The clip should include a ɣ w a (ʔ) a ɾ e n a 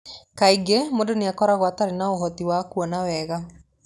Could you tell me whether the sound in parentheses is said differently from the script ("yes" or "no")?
yes